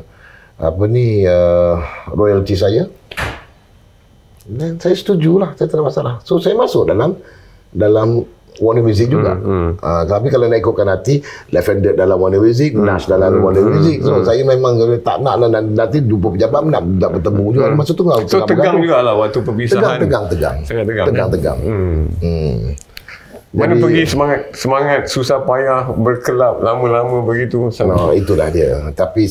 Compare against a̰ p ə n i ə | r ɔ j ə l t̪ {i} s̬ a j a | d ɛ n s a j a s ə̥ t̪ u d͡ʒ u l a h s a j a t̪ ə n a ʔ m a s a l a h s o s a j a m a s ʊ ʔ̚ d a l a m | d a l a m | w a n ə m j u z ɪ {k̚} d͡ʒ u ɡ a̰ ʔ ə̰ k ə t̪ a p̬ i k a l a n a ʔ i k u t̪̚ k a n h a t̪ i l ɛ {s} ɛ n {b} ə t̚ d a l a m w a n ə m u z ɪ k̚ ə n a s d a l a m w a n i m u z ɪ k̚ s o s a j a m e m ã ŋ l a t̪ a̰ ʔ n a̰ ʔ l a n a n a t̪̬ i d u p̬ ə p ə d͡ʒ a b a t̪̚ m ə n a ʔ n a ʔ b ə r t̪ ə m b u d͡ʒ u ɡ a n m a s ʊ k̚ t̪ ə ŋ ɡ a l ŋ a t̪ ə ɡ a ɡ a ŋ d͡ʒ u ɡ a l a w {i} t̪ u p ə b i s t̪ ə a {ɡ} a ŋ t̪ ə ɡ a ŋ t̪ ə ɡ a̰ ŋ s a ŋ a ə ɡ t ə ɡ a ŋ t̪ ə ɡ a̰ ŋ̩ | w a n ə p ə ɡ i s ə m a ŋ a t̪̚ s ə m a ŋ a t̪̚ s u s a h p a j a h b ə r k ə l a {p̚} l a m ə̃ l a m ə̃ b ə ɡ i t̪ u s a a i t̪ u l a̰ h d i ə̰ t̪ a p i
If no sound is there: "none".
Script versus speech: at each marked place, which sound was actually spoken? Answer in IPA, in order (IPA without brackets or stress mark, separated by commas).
i, k̚, f, d, a, ɡ, p̚